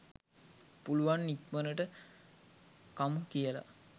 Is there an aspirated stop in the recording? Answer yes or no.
no